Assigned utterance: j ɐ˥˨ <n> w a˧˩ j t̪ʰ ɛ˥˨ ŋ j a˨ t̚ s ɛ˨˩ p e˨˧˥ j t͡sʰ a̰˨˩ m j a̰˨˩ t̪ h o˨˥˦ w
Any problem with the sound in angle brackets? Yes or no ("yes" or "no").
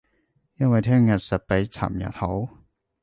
no